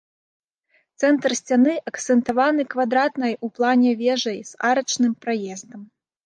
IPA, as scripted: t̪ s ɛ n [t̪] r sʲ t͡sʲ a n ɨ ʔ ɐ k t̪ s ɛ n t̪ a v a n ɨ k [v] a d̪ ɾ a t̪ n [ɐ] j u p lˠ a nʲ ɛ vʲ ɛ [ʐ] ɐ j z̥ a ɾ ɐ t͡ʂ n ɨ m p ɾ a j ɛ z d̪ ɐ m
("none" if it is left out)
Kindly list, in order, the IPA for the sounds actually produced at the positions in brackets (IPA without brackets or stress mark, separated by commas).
t̪, v, ɐ, ʐ